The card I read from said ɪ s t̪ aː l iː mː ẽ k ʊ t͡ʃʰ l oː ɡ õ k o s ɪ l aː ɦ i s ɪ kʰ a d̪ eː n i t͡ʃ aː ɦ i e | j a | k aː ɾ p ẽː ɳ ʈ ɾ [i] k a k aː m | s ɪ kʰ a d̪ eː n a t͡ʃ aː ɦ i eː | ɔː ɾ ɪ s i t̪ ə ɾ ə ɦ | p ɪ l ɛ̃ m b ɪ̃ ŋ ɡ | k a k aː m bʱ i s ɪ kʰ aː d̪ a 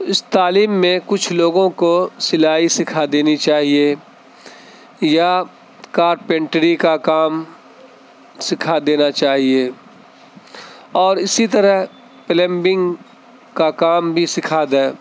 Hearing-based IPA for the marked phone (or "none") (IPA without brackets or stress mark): i